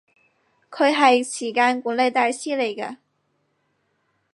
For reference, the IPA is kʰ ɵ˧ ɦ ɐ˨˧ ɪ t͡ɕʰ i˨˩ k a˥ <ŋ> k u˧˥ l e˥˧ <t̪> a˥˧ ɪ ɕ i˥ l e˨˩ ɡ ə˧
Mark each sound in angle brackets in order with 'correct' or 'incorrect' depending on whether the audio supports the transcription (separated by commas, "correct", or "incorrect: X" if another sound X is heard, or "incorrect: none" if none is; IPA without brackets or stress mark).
incorrect: n, correct